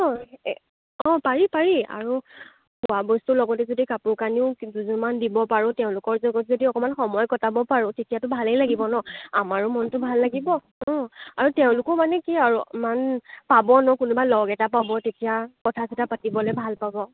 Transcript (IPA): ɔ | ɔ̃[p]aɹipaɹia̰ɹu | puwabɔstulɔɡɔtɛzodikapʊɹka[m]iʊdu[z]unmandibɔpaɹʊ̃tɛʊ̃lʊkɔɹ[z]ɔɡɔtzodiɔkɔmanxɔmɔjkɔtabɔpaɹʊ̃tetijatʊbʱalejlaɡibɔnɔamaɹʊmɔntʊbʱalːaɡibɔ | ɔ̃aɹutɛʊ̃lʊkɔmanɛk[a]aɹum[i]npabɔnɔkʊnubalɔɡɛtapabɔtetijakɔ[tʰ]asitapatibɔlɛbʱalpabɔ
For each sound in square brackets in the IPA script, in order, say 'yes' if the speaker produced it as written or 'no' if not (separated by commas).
yes, no, yes, yes, no, no, yes